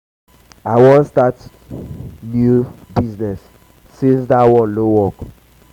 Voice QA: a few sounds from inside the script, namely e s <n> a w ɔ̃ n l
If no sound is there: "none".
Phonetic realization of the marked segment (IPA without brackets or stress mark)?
d